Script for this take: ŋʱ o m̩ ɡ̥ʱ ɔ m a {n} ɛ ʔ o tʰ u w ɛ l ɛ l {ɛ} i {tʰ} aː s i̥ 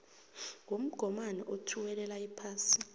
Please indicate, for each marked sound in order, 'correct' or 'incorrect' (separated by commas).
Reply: correct, incorrect, incorrect